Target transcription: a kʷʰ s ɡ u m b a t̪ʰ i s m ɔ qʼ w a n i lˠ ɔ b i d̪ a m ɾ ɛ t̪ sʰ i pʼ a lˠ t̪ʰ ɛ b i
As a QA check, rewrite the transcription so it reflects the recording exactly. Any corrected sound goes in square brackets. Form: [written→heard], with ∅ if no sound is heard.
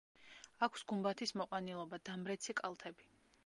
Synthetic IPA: a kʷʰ s ɡ u m b a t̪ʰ i s m ɔ qʼ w a n i lˠ ɔ b [i→a] d̪ a m ɾ ɛ t̪ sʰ i [pʼ→kʼ] a lˠ t̪ʰ ɛ b i